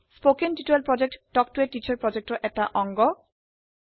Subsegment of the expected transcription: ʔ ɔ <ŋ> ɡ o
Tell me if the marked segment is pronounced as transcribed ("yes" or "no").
yes